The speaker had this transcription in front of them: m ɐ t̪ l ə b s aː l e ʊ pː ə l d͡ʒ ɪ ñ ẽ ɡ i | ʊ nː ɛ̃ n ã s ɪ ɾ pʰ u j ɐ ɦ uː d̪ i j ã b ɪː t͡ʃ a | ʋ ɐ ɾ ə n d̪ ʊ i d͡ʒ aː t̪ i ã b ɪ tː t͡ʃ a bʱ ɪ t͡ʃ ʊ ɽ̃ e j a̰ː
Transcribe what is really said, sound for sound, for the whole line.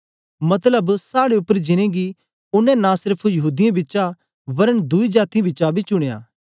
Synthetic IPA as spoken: m ɐ t̪ l ə b s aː ɽ e ʊ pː ə ɾ d͡ʒ ɪ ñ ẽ ɡ i | ʊ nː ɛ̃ n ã s ɪ ɾ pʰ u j ɐ ɦ uː d̪ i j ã b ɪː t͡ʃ a | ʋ ɐ ɾ ə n d̪ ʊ i d͡ʒ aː t̪ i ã b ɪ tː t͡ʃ a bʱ i t͡ʃ ʊ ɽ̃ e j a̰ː